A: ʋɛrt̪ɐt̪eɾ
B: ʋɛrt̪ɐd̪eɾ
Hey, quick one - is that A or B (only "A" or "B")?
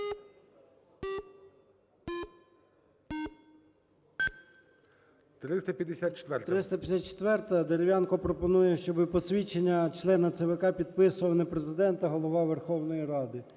B